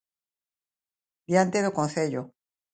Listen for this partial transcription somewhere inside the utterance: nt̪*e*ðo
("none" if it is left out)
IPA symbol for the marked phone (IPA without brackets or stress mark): e